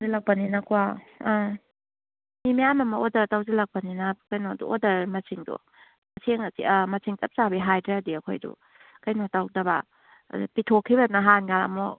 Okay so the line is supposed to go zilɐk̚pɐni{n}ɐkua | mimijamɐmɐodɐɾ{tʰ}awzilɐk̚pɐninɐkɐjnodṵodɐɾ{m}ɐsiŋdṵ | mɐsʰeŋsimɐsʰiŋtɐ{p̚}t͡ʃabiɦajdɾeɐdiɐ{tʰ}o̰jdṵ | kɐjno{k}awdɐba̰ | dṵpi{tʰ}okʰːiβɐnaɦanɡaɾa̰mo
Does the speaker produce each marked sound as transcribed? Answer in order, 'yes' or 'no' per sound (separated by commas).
yes, no, yes, yes, no, no, yes